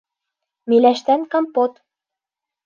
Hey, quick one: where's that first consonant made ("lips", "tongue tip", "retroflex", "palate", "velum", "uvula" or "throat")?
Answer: lips